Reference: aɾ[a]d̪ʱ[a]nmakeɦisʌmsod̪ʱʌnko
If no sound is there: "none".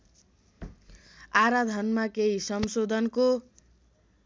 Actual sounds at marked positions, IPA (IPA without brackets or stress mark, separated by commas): a, ʌ